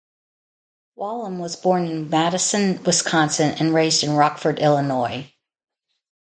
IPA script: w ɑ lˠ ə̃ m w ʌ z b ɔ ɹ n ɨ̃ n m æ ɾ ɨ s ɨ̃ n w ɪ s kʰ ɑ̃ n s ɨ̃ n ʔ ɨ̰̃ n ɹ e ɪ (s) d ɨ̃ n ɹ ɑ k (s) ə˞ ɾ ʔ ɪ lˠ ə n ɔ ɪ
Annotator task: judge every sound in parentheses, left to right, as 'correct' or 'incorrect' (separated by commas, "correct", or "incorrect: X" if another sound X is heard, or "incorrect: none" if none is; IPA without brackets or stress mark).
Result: incorrect: z, incorrect: f